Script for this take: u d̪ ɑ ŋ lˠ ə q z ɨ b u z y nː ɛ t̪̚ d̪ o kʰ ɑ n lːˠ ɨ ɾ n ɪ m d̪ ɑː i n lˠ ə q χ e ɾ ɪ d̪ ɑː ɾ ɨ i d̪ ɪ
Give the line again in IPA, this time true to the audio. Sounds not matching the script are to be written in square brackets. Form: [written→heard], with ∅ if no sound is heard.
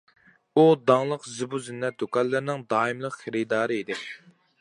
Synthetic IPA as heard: u d̪ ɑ ŋ lˠ ə q z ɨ b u z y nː ɛ t̪̚ d̪ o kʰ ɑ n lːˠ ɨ ɾ n ɪ [m→ŋ] d̪ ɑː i [n→m] lˠ ə q χ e ɾ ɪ d̪ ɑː ɾ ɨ i d̪ ɪ